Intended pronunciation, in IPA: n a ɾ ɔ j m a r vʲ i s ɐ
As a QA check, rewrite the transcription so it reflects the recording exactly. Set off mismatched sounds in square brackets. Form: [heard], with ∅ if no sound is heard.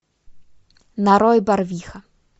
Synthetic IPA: n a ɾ ɔ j [b] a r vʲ i [x] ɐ